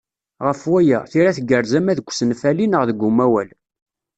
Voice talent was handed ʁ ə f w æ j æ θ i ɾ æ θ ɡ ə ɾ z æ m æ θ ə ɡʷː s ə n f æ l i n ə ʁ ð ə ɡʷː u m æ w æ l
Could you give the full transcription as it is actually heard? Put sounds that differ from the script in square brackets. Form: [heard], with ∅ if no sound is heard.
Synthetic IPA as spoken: ʁ ə f w æ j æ θ i ɾ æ θ ɡ ə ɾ z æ m æ [ð] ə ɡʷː s ə n f æ l i n ə ʁ ð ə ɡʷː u m æ w æ l